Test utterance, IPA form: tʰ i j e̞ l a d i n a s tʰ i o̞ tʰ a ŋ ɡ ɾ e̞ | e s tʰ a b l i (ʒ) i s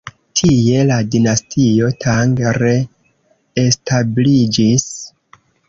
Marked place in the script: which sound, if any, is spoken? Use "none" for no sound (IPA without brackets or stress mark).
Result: d͡ʒ